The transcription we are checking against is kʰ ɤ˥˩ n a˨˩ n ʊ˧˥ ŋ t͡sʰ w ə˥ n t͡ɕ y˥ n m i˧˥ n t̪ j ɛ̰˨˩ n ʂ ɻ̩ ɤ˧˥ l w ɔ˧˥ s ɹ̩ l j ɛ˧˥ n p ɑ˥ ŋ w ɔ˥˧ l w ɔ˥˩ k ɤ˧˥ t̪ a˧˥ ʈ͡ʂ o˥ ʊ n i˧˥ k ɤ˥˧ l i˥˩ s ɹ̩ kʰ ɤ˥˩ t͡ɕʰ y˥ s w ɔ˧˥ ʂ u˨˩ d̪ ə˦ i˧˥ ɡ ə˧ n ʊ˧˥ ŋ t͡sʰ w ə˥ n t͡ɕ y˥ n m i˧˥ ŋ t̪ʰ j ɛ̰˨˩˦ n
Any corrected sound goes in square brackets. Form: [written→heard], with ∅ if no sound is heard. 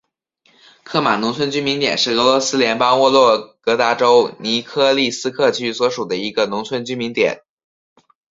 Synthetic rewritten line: kʰ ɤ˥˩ [n→m] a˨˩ n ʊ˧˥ ŋ t͡sʰ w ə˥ n t͡ɕ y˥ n m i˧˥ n t̪ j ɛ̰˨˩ n ʂ ɻ̩ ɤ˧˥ l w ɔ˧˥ s ɹ̩ l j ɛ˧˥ n p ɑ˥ ŋ w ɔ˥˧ l w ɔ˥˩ k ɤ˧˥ t̪ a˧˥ ʈ͡ʂ o˥ ʊ n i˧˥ [k→kʰ] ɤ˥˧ l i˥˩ s ɹ̩ kʰ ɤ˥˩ t͡ɕʰ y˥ s w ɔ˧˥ ʂ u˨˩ d̪ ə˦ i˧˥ ɡ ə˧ n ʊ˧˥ ŋ t͡sʰ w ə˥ n t͡ɕ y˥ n m i˧˥ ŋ [t̪ʰ→t̪] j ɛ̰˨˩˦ n